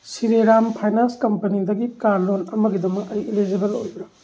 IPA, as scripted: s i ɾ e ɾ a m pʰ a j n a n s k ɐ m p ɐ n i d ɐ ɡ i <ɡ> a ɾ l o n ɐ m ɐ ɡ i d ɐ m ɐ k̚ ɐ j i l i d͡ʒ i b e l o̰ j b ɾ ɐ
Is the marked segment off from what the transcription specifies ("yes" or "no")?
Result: yes